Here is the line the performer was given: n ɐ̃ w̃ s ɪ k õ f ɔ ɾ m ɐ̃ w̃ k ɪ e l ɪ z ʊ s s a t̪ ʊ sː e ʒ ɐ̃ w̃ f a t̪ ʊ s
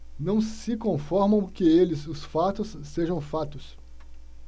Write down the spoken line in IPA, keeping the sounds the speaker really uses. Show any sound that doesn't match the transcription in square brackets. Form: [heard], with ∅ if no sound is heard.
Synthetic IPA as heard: n ɐ̃ w̃ s ɪ k õ f ɔ ɾ m ɐ̃ w̃ k ɪ e l ɪ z ʊ s [f] a t̪ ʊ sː e ʒ ɐ̃ w̃ f a t̪ ʊ s